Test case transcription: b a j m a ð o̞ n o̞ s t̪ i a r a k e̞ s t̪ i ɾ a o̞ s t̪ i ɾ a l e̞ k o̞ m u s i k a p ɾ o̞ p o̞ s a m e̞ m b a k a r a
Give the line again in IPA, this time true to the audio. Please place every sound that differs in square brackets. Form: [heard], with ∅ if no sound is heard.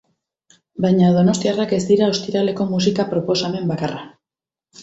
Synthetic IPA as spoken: b a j [ɲ] a ð o̞ n o̞ s t̪ i a r a k e̞ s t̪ i ɾ a o̞ s t̪ i ɾ a l e̞ k o̞ m u s i k a p ɾ o̞ p o̞ s a m e̞ m b a k a r a